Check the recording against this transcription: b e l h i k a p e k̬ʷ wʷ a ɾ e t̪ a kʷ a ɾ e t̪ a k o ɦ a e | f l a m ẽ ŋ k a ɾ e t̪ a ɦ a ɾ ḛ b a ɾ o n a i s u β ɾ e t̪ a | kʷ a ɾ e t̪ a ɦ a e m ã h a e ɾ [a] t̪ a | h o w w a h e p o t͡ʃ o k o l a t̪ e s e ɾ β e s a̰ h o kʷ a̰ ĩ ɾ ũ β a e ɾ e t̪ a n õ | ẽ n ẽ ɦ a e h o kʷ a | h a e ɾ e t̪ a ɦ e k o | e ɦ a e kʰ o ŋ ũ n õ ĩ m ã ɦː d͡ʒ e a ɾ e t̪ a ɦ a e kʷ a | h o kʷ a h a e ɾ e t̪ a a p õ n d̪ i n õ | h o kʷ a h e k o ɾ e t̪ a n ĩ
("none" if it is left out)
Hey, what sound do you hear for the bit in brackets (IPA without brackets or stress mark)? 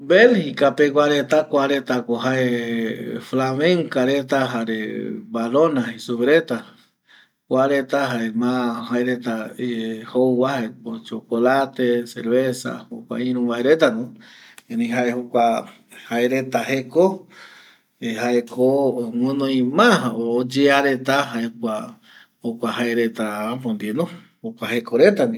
e